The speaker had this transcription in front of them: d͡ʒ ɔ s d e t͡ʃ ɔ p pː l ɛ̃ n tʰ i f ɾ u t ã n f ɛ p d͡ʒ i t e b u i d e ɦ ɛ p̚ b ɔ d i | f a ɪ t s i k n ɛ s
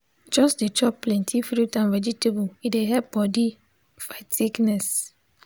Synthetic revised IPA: d͡ʒ ɔ s d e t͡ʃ ɔ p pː l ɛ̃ n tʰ i f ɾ u t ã n v ɛ d͡ʒ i t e b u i d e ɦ ɛ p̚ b ɔ d i | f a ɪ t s i k n ɛ s